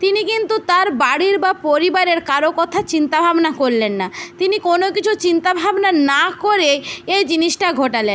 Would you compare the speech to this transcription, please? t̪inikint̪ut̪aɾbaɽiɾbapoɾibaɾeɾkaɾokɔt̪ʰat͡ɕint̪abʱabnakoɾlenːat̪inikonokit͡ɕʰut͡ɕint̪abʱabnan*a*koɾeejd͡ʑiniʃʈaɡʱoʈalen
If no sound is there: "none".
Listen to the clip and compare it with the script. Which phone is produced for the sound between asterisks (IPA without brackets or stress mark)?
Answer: a